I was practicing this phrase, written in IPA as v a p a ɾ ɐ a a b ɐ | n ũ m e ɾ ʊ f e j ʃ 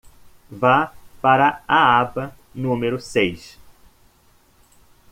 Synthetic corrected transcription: v a p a ɾ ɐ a a b ɐ | n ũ m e ɾ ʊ s e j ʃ